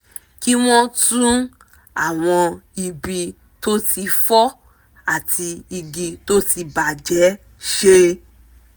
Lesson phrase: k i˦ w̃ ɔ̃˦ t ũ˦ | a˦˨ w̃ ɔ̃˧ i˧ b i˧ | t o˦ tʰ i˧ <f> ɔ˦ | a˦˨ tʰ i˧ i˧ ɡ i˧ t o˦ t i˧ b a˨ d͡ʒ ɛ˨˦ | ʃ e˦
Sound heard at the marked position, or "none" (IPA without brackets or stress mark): f